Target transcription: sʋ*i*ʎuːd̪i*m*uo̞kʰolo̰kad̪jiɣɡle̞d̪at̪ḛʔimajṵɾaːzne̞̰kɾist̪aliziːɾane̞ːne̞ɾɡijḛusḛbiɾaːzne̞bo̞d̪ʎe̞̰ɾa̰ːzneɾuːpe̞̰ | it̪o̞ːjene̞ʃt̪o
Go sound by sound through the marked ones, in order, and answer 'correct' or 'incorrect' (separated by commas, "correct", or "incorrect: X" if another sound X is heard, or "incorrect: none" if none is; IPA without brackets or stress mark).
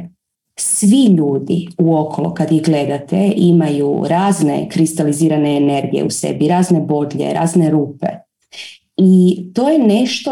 correct, incorrect: none